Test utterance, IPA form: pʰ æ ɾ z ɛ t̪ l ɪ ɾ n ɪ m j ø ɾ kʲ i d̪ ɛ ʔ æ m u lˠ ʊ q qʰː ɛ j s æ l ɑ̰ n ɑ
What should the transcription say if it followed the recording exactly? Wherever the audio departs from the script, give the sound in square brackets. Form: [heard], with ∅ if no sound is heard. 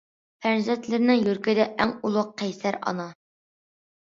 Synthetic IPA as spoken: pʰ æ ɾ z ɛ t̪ l ɪ ɾ n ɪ [ŋ] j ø ɾ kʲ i d̪ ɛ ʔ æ [ŋ] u lˠ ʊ q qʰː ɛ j s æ [ɾ] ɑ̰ n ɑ